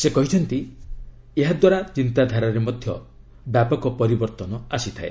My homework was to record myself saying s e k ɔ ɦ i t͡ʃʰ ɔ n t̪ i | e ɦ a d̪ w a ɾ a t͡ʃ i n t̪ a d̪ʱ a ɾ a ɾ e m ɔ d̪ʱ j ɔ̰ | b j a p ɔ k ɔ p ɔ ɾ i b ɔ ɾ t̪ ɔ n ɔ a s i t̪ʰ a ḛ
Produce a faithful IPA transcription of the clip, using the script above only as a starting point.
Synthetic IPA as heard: s e k ɔ ɦ i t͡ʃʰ ɔ n t̪ i | e ɦ a d̪ w a ɾ a t͡ʃ i n t̪ a d̪ʱ a ɾ a ɾ e m ɔ d̪ʱ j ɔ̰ | b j a p ɔ k ɔ p ɔ ɾ i b ɔ ɾ t̪ ɔ n ɔ a s i t̪ʰ a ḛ